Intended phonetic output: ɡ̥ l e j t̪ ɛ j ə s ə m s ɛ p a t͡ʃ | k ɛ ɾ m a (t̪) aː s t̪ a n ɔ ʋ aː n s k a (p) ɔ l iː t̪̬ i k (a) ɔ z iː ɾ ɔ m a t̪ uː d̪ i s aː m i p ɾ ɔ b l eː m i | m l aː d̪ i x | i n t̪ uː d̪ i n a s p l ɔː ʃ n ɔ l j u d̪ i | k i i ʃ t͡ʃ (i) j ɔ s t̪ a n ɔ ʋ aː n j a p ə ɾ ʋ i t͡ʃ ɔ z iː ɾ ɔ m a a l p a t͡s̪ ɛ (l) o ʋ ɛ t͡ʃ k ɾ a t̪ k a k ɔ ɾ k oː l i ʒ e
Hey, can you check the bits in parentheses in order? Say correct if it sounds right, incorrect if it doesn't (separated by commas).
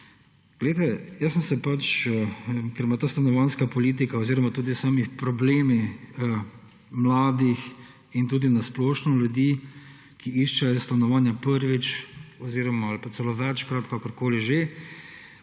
correct, correct, correct, incorrect, correct